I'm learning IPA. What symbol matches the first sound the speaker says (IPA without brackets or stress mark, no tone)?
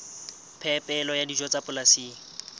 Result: pʰ